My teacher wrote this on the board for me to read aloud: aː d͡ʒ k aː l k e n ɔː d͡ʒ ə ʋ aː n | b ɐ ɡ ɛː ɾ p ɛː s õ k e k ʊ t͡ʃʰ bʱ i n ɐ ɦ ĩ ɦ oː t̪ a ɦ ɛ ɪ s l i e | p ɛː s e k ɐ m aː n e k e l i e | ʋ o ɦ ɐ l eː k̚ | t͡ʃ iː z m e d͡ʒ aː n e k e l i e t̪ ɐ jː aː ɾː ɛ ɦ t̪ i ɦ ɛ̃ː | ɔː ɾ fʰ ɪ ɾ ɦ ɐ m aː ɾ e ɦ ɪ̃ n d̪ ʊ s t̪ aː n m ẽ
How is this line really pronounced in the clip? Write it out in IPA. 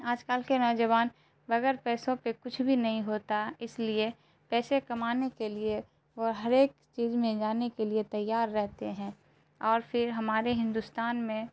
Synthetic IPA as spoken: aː d͡ʒ k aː l k e n ɔː d͡ʒ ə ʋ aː n | b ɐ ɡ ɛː ɾ p ɛː s õ p e k ʊ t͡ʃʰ bʱ i n ɐ ɦ ĩ ɦ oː t̪ a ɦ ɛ ɪ s l i e | p ɛː s e k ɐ m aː n e k e l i e | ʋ o ɦ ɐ ɾ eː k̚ | t͡ʃ iː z m ẽ d͡ʒ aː n e k e l i e t̪ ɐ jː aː ɾː ɛ ɦ t̪ e ɦ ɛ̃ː | ɔː ɾ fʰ ɪ ɾ ɦ ɐ m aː ɾ e ɦ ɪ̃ n d̪ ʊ s t̪ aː n m ẽ